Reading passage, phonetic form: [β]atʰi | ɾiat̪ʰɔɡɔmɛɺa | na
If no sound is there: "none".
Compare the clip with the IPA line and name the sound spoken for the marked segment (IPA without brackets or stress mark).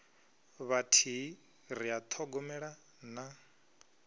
β